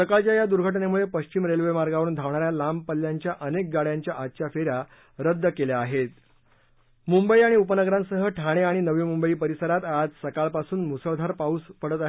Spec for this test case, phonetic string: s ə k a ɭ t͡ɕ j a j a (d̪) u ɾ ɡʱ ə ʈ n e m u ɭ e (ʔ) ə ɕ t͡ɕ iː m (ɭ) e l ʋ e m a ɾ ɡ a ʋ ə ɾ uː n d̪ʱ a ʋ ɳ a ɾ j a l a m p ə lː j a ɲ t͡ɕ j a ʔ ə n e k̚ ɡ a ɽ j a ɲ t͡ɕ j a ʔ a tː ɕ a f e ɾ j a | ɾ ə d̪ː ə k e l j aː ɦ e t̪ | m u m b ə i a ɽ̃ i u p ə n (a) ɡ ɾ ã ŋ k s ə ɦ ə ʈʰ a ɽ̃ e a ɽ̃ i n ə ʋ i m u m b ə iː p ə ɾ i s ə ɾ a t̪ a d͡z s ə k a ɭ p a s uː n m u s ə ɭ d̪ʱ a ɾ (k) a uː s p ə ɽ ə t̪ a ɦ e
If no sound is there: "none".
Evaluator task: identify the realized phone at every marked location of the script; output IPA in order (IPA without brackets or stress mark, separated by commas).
d̪, p, ɾ, ə, p